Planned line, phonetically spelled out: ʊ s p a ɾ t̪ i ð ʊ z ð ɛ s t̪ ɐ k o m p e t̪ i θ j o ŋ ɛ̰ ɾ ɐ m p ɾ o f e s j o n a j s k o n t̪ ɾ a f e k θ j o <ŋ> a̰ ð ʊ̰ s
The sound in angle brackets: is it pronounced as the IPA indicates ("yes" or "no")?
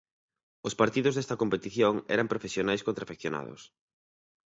no